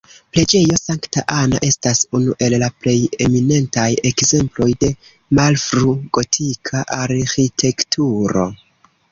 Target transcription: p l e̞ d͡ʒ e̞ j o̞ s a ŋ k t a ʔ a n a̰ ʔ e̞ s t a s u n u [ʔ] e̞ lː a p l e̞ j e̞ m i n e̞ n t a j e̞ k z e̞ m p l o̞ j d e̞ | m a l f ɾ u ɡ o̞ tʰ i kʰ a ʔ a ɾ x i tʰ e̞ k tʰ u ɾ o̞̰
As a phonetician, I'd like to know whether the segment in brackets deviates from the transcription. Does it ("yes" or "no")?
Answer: no